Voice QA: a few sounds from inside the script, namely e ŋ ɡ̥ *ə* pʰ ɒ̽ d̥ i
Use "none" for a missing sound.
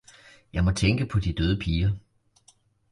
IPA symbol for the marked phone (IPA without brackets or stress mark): ə